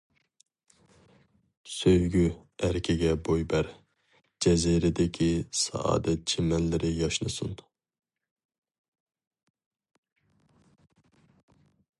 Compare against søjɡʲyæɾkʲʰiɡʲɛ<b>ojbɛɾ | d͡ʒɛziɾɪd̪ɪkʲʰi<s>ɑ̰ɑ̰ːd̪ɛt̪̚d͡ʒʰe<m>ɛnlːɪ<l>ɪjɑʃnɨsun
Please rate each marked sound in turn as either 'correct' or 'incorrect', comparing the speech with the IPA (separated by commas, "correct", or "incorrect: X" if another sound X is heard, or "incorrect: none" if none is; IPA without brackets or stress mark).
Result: correct, correct, correct, incorrect: ɾ